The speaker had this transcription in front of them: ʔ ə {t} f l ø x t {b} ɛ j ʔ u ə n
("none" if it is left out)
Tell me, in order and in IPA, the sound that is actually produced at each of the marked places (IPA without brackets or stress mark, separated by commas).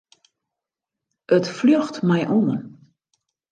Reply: t, m